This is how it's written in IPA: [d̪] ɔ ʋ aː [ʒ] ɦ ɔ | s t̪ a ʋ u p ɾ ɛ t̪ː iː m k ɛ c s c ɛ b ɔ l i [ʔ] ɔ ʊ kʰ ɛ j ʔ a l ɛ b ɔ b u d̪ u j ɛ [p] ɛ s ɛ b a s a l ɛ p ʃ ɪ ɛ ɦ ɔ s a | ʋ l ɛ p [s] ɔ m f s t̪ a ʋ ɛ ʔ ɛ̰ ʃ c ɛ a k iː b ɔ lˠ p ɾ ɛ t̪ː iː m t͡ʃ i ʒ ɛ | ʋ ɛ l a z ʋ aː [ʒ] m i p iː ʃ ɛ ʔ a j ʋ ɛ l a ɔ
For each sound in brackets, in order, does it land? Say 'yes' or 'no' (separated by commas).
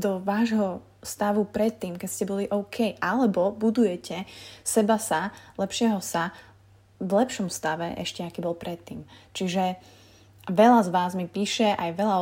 yes, yes, yes, no, no, no